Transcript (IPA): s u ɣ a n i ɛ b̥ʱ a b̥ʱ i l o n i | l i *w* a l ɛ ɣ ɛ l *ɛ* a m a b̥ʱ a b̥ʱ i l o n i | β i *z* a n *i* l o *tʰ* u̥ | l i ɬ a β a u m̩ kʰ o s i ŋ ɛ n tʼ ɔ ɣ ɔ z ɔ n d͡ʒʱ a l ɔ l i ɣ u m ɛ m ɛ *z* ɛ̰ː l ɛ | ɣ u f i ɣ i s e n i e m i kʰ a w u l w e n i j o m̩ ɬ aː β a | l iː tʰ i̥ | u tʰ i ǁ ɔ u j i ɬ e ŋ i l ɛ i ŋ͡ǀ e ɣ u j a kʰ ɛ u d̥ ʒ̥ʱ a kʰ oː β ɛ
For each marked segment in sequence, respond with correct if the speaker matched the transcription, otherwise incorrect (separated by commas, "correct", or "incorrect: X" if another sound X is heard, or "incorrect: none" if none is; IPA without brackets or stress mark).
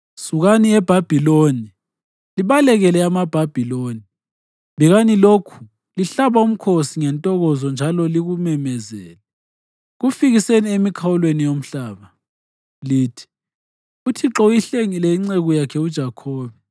incorrect: β, correct, incorrect: ɣ, correct, incorrect: kʰ, correct